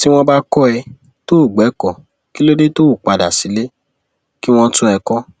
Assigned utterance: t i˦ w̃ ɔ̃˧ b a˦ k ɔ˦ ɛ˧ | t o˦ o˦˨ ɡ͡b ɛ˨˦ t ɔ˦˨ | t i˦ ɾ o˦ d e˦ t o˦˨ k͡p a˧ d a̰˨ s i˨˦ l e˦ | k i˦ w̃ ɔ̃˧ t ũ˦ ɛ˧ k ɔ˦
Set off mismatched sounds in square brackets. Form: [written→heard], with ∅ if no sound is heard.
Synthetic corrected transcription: t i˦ w̃ ɔ̃˧ b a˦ k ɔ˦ ɛ˧ | t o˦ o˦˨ ɡ͡b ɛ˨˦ [t→k] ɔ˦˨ | [t→k] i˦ [ɾ→l] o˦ d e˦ t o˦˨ k͡p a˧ d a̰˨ s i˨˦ l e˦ | k i˦ w̃ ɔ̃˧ t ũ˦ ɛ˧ k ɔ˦